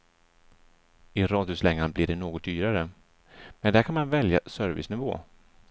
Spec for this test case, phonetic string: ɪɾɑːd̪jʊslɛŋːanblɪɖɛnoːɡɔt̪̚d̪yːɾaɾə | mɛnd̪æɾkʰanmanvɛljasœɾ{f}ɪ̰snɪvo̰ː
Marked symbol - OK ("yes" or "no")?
no